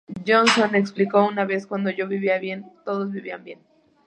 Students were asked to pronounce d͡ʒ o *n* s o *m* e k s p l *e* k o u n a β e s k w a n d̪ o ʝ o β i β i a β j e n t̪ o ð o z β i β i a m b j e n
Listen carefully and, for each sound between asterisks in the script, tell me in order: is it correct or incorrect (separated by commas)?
correct, incorrect, incorrect